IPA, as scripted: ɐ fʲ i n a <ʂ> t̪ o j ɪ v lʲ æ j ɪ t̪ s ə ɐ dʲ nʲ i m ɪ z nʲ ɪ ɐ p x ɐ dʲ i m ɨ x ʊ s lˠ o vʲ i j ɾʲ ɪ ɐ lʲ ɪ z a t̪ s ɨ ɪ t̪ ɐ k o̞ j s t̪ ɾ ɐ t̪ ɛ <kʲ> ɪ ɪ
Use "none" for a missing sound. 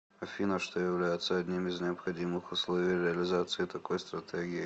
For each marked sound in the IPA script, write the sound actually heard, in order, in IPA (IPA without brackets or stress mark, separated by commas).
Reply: ʂ, ɡʲ